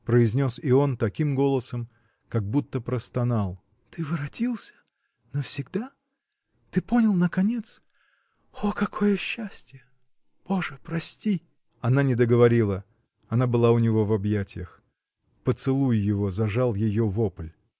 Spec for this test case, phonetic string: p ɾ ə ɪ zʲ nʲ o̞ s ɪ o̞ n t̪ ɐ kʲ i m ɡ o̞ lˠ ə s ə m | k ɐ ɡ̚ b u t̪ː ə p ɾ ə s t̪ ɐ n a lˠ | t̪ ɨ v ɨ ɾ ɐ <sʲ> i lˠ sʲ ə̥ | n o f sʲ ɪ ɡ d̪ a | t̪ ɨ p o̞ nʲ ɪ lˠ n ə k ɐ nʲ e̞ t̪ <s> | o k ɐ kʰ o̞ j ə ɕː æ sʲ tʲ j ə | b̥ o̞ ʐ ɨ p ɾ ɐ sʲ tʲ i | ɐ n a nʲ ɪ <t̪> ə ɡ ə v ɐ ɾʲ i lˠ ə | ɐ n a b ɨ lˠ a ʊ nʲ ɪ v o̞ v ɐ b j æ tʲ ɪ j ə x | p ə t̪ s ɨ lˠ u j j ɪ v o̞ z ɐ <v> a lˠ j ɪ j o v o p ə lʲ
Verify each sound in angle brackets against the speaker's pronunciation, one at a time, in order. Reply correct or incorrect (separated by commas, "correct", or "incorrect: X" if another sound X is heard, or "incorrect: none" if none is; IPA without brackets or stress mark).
incorrect: tʲ, correct, incorrect: d̪, incorrect: ʐ